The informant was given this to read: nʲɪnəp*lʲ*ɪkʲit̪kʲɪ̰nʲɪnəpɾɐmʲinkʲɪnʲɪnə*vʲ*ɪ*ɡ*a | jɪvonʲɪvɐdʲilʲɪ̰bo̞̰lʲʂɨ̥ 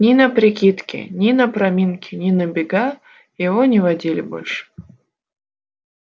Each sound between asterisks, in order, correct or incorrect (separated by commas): incorrect, incorrect, correct